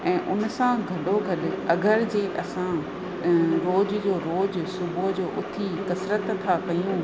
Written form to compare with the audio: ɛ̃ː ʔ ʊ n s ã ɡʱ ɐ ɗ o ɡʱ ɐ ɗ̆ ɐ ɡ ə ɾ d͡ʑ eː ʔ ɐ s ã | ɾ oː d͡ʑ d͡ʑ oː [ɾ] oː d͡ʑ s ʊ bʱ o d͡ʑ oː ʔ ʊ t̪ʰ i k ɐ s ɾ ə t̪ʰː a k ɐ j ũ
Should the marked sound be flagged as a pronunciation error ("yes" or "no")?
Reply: no